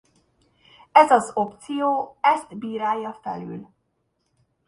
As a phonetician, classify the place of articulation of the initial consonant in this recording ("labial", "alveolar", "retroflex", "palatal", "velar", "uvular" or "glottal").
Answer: alveolar